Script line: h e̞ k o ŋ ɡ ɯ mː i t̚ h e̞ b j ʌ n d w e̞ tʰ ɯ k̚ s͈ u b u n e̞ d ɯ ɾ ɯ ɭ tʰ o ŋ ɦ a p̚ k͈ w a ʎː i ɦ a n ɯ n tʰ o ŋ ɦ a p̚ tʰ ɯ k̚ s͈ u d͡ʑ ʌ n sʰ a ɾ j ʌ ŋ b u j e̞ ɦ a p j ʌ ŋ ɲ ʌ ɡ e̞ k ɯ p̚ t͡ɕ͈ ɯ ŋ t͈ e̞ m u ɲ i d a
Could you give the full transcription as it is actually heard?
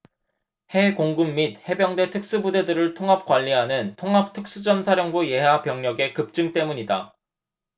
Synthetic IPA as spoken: h e̞ k o ŋ ɡ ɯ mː i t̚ h e̞ b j ʌ ŋ d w e̞ tʰ ɯ k̚ s͈ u b u d e̞ d ɯ ɾ ɯ ɭ tʰ o ŋ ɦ a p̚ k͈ w a ʎː i ɦ a n ɯ n tʰ o ŋ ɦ a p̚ tʰ ɯ k̚ s͈ u d͡ʑ ʌ n sʰ a ɾ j ʌ ŋ b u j e̞ ɦ a p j ʌ ŋ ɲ ʌ ɡ e̞ k ɯ p̚ t͡ɕ͈ ɯ ŋ t͈ e̞ m u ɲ i d a